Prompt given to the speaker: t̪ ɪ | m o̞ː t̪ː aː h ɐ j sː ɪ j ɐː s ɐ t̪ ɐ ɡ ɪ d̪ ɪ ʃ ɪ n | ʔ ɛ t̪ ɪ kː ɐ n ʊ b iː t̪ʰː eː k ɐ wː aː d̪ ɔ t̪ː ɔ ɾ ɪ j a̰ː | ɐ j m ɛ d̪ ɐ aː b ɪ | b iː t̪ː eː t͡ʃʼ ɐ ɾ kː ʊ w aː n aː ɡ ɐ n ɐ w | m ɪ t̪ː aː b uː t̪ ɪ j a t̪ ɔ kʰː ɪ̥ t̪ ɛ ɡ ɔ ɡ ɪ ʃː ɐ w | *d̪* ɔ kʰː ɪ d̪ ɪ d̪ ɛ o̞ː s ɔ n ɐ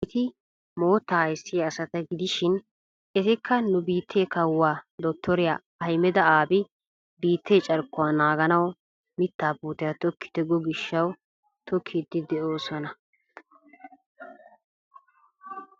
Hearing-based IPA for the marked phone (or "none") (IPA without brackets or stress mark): t̪